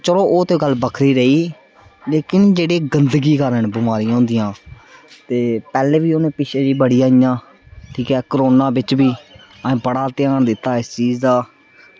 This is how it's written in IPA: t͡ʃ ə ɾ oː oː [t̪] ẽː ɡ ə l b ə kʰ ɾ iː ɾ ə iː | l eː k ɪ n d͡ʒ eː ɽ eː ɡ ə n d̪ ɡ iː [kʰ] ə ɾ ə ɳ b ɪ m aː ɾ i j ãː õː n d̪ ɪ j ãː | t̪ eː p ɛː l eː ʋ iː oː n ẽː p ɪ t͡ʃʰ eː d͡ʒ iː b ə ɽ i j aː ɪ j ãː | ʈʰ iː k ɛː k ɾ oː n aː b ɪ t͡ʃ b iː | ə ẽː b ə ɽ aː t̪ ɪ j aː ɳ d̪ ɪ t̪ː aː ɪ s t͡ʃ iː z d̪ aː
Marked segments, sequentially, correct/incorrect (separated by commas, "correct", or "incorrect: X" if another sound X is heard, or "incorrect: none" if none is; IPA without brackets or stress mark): correct, incorrect: k